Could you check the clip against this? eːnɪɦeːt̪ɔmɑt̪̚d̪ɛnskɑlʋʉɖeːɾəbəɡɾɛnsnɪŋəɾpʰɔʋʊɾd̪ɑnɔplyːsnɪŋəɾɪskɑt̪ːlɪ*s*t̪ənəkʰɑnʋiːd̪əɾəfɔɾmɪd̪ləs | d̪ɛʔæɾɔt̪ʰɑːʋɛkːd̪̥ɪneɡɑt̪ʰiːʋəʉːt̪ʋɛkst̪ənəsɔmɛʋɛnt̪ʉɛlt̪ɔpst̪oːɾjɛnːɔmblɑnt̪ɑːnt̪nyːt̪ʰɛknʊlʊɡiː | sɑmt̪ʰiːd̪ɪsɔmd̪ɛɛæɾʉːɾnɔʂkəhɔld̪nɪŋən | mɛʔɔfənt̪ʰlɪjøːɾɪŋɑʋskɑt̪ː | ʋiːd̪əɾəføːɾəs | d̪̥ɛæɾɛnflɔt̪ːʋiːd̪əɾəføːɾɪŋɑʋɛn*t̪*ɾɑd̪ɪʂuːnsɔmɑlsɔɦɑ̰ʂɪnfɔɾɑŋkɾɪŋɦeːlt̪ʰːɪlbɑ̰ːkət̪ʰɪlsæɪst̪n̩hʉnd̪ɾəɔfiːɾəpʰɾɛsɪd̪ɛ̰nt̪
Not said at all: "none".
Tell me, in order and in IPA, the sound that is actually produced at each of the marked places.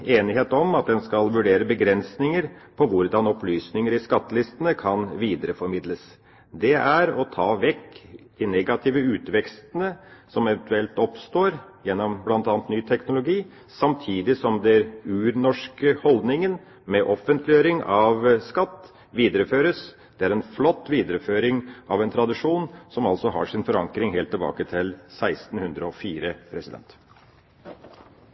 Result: s, t̪ʰ

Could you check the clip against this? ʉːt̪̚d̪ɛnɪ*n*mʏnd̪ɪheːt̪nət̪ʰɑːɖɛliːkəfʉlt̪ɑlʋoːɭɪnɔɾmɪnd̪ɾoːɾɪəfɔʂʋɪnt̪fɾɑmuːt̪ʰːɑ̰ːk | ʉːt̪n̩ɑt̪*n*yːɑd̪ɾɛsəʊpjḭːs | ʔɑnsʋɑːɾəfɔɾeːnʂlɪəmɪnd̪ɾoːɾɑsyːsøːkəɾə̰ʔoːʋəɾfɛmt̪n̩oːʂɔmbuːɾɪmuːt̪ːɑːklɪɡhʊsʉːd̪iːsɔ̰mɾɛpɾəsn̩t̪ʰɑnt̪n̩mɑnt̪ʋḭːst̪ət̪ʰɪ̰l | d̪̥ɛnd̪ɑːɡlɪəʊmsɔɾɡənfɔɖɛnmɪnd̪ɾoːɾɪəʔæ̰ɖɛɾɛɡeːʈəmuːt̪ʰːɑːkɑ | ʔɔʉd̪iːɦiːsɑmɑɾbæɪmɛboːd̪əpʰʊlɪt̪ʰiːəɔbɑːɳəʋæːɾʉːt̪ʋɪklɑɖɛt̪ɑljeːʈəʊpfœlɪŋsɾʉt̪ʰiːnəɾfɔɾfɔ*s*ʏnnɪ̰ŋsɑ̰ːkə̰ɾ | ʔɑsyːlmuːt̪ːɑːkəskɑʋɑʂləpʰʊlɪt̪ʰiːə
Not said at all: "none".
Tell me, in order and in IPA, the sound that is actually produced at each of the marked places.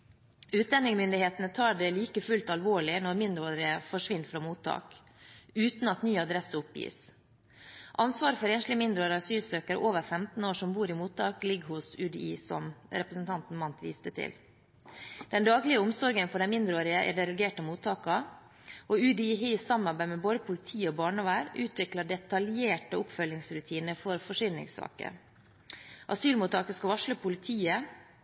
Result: ŋ, n, ʂ

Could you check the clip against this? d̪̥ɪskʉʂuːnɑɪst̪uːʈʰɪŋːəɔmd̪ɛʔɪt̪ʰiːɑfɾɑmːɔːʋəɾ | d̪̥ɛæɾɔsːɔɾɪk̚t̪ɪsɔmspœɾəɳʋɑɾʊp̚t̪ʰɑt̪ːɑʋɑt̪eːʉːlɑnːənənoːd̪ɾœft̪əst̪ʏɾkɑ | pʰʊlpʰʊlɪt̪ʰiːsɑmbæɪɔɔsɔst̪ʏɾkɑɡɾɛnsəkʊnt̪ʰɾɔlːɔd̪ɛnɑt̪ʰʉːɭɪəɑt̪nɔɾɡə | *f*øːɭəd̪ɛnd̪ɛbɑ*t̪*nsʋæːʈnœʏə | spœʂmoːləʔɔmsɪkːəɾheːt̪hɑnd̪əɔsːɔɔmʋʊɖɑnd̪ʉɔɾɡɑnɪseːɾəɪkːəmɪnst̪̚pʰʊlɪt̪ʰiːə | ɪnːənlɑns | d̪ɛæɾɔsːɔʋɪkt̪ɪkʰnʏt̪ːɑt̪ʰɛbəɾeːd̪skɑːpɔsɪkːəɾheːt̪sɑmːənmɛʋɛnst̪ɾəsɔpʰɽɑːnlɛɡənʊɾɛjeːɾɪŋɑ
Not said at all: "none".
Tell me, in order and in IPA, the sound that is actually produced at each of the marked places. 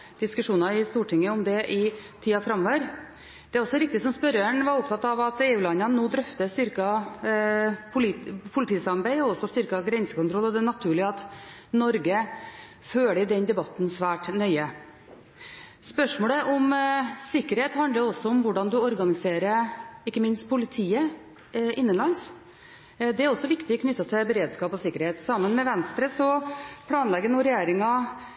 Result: f, t̪

